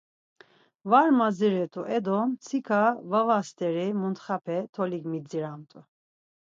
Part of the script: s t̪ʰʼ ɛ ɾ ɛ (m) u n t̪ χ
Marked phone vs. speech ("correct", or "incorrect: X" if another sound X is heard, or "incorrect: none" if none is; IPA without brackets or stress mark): correct